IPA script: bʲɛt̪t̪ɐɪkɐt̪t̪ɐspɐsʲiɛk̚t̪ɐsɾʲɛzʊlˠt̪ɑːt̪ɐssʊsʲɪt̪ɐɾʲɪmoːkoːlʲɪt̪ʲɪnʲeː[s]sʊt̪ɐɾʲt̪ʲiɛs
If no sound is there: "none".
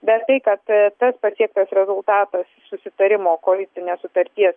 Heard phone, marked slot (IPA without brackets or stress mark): s